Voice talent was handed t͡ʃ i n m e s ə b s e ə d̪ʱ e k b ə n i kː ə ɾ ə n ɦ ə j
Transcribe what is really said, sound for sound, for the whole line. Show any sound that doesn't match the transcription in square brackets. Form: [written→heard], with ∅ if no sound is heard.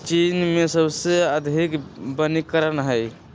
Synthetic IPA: t͡ʃ i n m e s ə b s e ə d̪ʱ [e→i] k b ə n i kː ə ɾ ə n ɦ ə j